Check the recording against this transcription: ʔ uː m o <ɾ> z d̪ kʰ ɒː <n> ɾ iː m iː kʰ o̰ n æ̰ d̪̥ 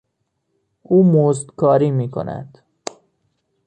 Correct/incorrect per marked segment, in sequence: incorrect: none, incorrect: none

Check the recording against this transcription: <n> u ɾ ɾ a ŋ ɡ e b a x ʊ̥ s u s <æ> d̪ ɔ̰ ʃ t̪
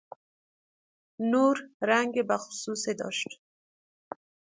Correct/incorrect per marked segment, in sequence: correct, incorrect: e

